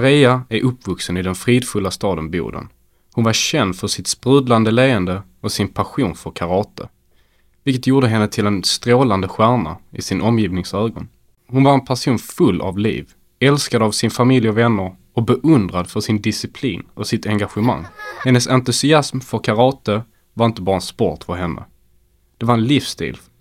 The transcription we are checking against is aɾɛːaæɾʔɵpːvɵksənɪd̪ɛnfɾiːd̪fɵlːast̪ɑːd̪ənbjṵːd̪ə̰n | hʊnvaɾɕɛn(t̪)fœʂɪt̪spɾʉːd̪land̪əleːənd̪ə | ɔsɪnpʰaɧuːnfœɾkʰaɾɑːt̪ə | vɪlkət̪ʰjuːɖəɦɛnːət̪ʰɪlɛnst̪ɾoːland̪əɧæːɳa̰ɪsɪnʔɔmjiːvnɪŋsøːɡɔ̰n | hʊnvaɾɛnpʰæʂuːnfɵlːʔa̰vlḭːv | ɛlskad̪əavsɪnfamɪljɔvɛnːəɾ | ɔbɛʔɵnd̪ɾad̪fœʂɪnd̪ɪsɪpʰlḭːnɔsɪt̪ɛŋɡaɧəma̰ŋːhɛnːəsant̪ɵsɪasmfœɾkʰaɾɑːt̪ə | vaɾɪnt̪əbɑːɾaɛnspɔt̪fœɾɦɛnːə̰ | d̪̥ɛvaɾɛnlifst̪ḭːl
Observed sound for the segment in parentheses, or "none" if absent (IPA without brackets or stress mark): d̪